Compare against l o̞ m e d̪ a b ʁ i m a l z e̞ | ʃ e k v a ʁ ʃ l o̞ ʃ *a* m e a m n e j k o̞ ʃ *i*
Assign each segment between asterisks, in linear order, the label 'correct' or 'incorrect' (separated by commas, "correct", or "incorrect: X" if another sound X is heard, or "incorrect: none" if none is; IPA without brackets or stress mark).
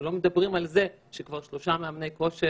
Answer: correct, incorrect: e